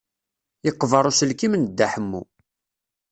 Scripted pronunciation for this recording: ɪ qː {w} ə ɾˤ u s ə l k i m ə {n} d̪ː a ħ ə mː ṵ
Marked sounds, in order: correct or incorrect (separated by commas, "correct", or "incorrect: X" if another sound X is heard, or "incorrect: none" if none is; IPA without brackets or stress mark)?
incorrect: v, correct